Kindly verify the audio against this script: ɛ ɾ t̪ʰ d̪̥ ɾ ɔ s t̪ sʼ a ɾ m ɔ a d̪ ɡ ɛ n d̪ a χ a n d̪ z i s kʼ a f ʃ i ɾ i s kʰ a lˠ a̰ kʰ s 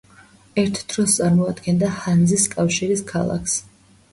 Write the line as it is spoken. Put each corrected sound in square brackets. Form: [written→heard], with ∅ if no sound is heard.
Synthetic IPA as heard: ɛ ɾ t̪ʰ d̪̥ ɾ ɔ s t̪ sʼ a ɾ m ɔ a d̪ ɡ ɛ n d̪ a [χ→h] a n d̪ z i s kʼ a f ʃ i ɾ i s kʰ a lˠ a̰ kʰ s